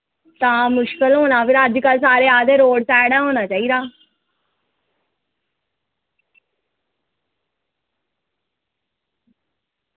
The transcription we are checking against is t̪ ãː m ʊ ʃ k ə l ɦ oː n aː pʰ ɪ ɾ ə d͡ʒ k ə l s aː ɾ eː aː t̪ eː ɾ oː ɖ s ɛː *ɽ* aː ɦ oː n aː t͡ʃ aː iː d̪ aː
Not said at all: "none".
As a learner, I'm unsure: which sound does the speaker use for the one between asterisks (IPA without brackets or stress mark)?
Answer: ɽ